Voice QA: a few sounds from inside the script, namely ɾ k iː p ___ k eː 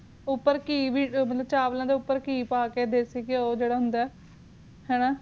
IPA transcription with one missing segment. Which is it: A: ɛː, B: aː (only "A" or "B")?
B